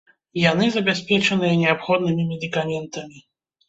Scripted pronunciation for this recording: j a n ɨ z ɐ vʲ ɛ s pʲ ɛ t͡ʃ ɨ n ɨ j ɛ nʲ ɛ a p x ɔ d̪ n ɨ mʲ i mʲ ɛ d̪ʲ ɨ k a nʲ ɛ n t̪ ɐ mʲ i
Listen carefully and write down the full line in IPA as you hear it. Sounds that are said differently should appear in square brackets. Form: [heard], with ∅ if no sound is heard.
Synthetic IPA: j a n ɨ z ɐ [bʲ] ɛ s pʲ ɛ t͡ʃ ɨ n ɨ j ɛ nʲ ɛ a p x ɔ d̪ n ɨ mʲ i mʲ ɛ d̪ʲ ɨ k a [mʲ] ɛ n t̪ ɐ mʲ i